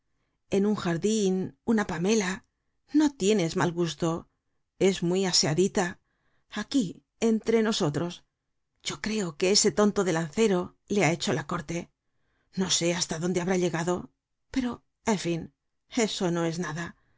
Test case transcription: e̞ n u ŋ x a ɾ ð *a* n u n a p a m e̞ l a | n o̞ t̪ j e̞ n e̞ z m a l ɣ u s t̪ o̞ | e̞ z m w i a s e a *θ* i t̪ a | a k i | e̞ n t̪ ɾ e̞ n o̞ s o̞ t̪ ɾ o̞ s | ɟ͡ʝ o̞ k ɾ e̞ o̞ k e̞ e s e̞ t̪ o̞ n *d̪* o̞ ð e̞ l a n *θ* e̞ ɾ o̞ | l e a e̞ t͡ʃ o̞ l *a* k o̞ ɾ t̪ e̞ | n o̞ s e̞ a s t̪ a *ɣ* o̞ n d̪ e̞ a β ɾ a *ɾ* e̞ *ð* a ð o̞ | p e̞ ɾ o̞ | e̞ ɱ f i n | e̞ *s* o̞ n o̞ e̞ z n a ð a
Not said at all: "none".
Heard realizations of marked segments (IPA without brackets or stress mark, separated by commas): i, ð, t̪, θ, a, ð, ʎ, ɣ, s